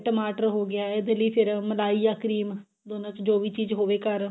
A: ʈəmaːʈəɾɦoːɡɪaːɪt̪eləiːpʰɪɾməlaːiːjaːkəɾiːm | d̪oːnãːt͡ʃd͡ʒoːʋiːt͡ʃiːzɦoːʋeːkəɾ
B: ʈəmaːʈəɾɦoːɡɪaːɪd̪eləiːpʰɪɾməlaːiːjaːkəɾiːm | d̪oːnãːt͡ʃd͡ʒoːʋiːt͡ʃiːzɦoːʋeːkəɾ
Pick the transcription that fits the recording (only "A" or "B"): B